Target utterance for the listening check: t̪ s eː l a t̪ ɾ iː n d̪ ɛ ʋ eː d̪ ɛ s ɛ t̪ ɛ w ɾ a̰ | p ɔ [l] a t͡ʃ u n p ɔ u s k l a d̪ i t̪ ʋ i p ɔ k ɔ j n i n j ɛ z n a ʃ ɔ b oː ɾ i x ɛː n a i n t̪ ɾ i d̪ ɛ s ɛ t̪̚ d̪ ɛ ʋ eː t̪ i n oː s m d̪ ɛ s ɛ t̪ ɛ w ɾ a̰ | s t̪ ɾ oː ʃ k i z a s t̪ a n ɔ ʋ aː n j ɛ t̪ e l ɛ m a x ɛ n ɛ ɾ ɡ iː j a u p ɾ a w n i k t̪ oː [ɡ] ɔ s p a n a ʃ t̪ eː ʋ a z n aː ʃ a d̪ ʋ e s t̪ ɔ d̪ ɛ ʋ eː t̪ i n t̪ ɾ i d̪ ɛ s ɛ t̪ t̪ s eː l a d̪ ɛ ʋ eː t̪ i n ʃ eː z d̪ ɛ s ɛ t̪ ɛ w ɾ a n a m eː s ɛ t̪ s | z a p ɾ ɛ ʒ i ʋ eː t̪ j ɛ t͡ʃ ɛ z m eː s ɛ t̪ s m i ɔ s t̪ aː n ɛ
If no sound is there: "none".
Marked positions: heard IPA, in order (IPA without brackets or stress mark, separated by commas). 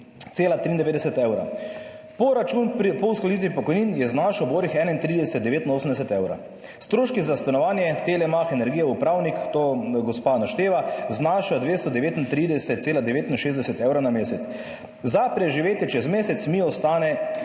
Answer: ɾ, ɡ